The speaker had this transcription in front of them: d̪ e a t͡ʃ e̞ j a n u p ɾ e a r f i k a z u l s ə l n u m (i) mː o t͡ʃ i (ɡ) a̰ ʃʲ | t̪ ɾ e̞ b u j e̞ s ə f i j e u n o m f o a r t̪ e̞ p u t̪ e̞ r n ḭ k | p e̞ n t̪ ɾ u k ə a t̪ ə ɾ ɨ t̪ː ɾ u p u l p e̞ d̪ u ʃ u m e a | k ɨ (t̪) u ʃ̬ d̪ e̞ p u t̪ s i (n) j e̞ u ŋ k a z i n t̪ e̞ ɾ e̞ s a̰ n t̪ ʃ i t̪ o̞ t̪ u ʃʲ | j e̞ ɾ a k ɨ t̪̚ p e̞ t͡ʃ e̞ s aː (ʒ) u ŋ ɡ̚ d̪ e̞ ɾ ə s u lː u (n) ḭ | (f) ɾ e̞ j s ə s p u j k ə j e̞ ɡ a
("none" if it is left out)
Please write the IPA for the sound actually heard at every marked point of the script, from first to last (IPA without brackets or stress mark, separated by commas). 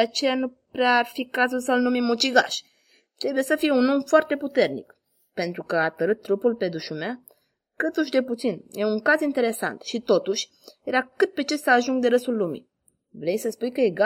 i, ɡ, t̪, n, ʒ, m, v